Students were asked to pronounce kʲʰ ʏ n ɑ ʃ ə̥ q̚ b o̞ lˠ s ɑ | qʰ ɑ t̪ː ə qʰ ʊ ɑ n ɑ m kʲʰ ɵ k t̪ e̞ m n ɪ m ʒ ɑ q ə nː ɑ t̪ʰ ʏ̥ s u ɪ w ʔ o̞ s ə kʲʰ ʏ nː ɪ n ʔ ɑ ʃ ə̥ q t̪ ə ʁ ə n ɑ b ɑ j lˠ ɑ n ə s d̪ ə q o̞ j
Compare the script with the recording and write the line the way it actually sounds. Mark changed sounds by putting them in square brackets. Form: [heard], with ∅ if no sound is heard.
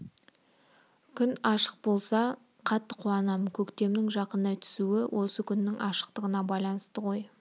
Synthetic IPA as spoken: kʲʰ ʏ n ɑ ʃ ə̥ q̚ b o̞ lˠ s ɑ | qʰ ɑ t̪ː ə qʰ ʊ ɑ n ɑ m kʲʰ ɵ k t̪ e̞ m n ɪ [ŋ] ʒ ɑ q ə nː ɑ t̪ʰ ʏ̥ s u ɪ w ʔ o̞ s ə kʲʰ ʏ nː ɪ [ŋ] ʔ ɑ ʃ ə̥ q t̪ ə ʁ ə n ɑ b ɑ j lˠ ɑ n ə s [t̪] ə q o̞ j

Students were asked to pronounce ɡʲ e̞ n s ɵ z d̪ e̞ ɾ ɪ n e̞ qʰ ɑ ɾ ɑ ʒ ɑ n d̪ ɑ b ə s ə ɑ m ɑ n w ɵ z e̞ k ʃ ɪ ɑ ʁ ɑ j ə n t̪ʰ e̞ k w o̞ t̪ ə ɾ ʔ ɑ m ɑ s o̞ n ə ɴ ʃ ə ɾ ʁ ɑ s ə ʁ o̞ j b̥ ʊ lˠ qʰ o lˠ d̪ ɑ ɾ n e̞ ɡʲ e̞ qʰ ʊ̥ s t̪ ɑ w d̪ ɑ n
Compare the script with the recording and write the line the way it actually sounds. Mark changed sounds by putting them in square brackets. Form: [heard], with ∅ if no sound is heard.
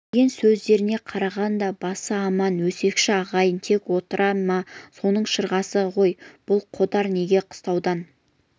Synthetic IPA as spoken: ɡʲ e̞ n s ɵ z d̪ e̞ ɾ ɪ n e̞ qʰ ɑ ɾ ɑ [ʁ] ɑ n d̪ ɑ b [ɑ] s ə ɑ m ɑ n w ɵ [s] e̞ k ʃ ɪ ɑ ʁ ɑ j ə n t̪ʰ e̞ k w o̞ t̪ ə ɾ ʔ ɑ m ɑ s o̞ n ə ɴ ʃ ə ɾ ʁ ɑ s ə ʁ o̞ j b̥ ʊ lˠ qʰ o [∅] d̪ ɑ ɾ n e̞ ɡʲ e̞ qʰ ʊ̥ s t̪ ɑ w d̪ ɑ n

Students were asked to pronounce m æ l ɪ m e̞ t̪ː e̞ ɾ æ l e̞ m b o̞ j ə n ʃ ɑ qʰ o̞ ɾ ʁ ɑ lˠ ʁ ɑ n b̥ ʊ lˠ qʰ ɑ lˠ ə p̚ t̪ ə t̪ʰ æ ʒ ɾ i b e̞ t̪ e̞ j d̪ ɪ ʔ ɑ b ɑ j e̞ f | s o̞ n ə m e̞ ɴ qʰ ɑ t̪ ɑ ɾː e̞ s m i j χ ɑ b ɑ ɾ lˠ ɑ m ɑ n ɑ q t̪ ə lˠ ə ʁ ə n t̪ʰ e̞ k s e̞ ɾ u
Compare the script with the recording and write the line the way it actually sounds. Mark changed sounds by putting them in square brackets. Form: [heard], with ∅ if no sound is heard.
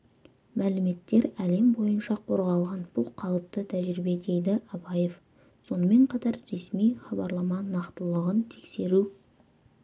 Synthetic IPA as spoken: m æ l ɪ m e̞ t̪ː e̞ ɾ æ l e̞ m b o̞ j ə n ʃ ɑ qʰ o̞ ɾ ʁ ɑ lˠ ʁ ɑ n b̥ ʊ lˠ qʰ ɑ lˠ ə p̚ t̪ ə t̪ʰ æ ʒ ɾ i b e̞ [d̪] e̞ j d̪ ɪ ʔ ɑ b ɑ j e̞ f | s o̞ n ə m e̞ ɴ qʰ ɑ t̪ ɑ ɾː e̞ s m i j χ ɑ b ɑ ɾ lˠ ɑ m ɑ n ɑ q t̪ ə lˠ ə ʁ ə n t̪ʰ e̞ k s e̞ ɾ u

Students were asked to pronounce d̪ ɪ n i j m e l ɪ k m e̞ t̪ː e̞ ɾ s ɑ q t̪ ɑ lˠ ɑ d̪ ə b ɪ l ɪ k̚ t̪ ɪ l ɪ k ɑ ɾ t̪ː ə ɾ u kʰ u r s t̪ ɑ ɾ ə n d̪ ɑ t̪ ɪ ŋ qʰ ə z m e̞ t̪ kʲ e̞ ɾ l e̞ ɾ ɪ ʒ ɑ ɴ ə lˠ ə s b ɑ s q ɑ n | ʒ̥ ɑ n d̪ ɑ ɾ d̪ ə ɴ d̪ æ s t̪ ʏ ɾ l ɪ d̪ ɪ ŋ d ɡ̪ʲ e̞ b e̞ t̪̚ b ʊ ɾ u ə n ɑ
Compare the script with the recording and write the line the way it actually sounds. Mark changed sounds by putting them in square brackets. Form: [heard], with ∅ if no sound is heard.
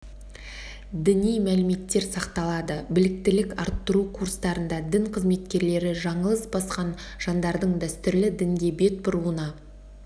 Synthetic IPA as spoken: d̪ ɪ n i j m [æ] l ɪ [∅] m e̞ t̪ː e̞ ɾ s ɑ q t̪ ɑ lˠ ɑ d̪ ə b ɪ l ɪ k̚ t̪ ɪ l ɪ k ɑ ɾ t̪ː ə ɾ u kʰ u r s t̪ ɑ ɾ ə n d̪ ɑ [d̪] ɪ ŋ qʰ ə z m e̞ t̪ kʲ e̞ ɾ l e̞ ɾ ɪ ʒ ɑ ɴ ə lˠ ə s b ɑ s q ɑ n | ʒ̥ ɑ n d̪ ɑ ɾ d̪ ə ɴ d̪ æ s t̪ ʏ ɾ l ɪ d̪ ɪ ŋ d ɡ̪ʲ e̞ b e̞ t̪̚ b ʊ ɾ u ə n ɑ

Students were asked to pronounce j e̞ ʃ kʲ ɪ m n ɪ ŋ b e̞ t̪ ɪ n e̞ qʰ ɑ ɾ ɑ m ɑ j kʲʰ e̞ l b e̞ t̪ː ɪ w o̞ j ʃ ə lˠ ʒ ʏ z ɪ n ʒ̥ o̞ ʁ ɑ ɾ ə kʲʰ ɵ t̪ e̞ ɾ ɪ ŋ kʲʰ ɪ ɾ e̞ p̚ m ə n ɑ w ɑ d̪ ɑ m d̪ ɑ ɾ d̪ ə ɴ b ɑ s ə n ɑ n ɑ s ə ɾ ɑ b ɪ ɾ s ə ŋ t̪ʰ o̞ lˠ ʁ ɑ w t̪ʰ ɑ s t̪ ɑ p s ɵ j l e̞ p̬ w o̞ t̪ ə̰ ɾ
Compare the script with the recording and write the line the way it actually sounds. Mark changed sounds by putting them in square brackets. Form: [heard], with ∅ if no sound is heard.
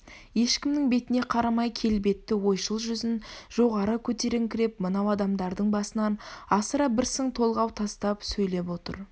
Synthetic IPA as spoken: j e̞ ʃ kʲ ɪ m n ɪ ŋ b e̞ t̪ ɪ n e̞ qʰ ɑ ɾ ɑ m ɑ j kʲʰ e̞ l b e̞ t̪ː ɪ w o̞ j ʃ ə lˠ ʒ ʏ z ɪ n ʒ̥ o̞ ʁ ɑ ɾ ə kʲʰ ɵ t̪ e̞ ɾ ɪ ŋ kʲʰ ɪ ɾ e̞ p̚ m ə n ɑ w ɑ d̪ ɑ m d̪ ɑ ɾ d̪ ə ɴ b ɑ s ə n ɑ n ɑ s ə ɾ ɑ b ɪ ɾ s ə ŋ t̪ʰ o̞ lˠ ʁ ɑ w t̪ʰ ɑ s t̪ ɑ p s ɵ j l e̞ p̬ w o̞ t̪ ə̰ ɾ

